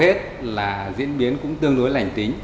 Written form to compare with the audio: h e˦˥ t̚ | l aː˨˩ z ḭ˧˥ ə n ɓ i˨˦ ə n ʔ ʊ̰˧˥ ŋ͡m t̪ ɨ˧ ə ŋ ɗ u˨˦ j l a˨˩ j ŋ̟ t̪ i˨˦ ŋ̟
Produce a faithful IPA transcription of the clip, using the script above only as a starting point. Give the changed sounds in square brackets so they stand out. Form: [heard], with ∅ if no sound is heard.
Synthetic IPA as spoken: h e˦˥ t̚ | l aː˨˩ z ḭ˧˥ ə n ɓ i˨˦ ə n [k] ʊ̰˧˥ ŋ͡m t̪ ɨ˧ ə ŋ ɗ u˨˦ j l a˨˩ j ŋ̟ t̪ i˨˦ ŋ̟